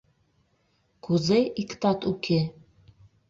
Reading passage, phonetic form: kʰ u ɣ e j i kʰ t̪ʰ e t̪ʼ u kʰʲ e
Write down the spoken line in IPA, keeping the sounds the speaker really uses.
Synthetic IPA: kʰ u z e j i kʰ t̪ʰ a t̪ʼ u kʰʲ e